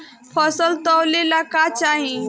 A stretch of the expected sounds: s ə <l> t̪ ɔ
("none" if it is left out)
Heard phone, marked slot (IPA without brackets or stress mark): l